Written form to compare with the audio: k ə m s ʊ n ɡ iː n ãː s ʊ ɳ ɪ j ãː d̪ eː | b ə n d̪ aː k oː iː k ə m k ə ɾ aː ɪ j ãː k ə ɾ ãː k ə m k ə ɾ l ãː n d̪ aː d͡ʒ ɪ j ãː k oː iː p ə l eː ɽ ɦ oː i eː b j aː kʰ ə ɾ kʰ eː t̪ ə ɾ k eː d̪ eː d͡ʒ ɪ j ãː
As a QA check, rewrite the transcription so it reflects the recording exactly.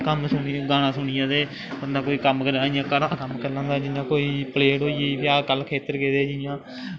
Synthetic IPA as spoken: k ə m s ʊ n ɡ aː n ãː s ʊ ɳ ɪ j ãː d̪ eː | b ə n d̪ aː k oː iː k ə m k ə ɾ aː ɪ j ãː k ə ɾ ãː k ə m k ə ɾ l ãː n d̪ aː d͡ʒ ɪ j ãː k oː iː p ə l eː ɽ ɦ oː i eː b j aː k ə l kʰ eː t̪ ə ɾ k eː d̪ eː d͡ʒ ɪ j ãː